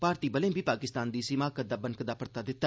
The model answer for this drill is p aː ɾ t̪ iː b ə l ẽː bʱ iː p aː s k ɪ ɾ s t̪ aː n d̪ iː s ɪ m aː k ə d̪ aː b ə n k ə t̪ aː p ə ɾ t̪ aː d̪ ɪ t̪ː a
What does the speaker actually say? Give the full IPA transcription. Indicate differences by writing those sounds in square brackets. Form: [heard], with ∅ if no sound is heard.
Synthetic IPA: p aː ɾ t̪ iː b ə l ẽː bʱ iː p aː [∅] k ɪ [∅] s t̪ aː n d̪ iː s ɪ m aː k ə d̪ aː b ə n k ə [d̪] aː p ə ɾ t̪ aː d̪ ɪ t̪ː a